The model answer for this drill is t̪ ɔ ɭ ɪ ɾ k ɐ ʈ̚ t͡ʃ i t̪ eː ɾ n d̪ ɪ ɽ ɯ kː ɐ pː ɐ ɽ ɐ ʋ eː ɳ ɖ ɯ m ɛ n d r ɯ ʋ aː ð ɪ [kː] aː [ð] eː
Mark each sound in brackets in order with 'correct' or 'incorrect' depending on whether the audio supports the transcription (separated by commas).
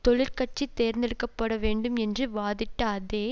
incorrect, correct